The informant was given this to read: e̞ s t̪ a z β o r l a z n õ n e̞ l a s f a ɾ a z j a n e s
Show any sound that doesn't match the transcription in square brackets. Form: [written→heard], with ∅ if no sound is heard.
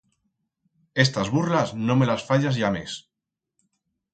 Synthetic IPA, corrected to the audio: e̞ s t̪ a z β [o→u] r l a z n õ [n→m] e̞ l a s f a [ɾ→ʎ] a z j a [n→m] e s